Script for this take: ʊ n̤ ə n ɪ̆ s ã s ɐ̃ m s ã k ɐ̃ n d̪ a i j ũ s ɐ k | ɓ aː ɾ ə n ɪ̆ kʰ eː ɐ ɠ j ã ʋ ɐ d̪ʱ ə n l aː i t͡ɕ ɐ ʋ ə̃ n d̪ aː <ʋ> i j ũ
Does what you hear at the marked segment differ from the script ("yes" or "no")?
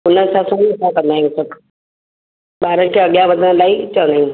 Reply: yes